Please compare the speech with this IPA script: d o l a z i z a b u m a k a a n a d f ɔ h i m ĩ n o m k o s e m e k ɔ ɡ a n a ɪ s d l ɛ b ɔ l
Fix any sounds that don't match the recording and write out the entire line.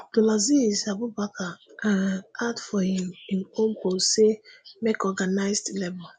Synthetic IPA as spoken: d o l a z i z a b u b a k a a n a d f ɔ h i m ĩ n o m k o s e m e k ɔ ɡ a n a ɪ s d l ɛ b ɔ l